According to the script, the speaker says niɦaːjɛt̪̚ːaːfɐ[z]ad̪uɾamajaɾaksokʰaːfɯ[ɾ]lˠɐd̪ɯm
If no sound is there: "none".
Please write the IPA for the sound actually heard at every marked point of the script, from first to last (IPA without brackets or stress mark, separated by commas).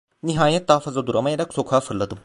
z, ɾ